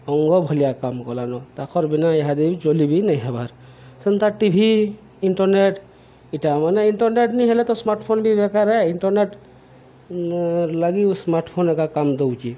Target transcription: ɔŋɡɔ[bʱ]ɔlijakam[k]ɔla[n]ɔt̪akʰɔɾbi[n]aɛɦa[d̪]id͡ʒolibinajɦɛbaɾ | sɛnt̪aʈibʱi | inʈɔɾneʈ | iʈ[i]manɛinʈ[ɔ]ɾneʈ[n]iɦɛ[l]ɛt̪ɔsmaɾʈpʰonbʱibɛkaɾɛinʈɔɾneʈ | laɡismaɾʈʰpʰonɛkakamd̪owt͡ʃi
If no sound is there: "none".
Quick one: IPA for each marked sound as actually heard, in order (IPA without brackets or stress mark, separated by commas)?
bʱ, k, n, n, d̪, a, ɔ, n, l